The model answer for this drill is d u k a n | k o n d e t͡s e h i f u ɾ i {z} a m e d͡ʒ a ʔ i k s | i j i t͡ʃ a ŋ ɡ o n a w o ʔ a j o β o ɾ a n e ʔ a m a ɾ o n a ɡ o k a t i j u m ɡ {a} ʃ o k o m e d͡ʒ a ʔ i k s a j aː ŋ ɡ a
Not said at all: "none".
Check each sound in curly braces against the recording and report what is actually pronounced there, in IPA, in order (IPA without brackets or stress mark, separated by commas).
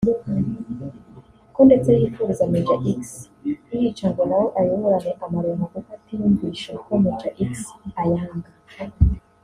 z, i